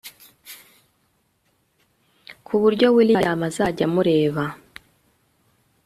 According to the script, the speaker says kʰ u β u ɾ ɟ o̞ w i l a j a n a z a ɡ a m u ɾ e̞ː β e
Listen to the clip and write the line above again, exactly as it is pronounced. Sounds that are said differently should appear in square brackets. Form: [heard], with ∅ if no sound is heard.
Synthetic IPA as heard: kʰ u β u ɾ ɟ o̞ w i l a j a [m] a z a [ɟ] a m u ɾ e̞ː β [a]